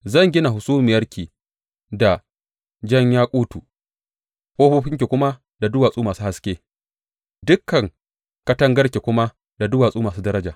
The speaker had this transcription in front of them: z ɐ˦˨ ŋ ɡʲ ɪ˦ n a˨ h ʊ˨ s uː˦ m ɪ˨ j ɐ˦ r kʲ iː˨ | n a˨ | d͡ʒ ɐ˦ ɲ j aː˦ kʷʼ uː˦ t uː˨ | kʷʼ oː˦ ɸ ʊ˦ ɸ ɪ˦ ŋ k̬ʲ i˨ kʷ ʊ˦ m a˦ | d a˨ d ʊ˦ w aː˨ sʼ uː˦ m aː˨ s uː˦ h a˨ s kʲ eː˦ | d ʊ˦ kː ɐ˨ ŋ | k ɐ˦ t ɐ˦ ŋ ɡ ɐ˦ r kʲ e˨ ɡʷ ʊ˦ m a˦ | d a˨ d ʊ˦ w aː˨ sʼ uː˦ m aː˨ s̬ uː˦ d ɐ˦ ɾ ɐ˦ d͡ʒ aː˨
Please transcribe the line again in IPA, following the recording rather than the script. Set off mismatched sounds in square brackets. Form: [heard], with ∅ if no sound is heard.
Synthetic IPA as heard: z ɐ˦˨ ŋ ɡʲ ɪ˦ n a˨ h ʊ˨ s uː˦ m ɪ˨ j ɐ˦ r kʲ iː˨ | [d] a˨ | d͡ʒ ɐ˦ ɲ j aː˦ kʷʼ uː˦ t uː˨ | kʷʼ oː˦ ɸ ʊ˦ ɸ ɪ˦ ŋ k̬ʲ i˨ kʷ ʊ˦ m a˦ | d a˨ d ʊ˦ w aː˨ sʼ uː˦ m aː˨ s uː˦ h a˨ s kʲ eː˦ | d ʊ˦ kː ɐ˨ ŋ | k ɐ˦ t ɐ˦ ŋ ɡ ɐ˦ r kʲ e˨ [kʷ] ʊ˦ m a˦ | d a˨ d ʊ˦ w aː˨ sʼ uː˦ m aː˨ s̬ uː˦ d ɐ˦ ɾ ɐ˦ d͡ʒ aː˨